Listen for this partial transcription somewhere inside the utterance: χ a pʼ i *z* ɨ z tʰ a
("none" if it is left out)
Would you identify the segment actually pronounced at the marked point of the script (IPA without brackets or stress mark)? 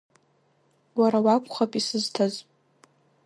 s